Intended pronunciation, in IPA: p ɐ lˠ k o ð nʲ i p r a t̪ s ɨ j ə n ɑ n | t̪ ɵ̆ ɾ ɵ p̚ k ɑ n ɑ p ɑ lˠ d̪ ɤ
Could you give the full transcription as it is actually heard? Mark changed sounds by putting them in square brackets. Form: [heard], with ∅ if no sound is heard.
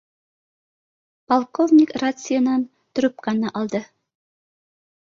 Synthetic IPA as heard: p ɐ lˠ k o [v] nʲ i [k] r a t̪ s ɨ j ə n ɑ n | t̪ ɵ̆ ɾ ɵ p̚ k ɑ n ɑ [ʔ] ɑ lˠ d̪ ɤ